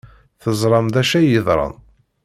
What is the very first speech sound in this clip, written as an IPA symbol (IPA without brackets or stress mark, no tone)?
θ